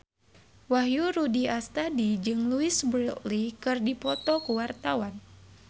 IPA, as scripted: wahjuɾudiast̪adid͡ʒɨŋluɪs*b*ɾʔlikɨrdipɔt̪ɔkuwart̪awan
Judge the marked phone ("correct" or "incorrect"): correct